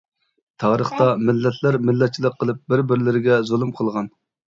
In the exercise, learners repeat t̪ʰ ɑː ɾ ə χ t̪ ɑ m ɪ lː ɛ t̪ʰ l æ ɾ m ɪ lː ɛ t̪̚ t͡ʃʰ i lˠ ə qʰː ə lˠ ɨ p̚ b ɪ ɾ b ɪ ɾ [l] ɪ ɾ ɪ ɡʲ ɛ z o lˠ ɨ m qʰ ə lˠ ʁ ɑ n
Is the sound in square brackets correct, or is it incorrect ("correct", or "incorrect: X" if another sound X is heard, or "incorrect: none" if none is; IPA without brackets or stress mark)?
correct